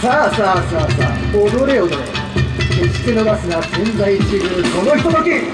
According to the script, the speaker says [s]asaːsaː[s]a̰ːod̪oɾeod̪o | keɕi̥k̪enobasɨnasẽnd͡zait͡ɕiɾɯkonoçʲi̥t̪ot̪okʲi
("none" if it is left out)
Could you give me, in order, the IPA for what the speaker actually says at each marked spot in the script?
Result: s, s

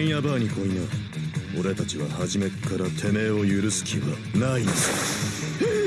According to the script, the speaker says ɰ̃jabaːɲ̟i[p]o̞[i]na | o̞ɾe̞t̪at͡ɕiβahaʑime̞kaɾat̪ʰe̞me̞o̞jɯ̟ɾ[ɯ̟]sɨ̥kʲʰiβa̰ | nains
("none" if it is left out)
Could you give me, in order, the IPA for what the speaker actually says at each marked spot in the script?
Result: k, i, ɯ̟

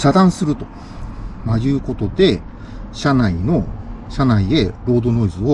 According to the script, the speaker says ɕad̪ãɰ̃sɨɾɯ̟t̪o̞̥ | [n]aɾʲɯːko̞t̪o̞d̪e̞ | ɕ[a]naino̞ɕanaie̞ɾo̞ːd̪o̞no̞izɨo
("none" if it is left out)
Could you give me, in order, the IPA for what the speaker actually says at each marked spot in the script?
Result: m, a

